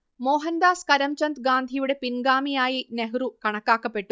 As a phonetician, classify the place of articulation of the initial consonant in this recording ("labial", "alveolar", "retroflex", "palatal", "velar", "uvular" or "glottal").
labial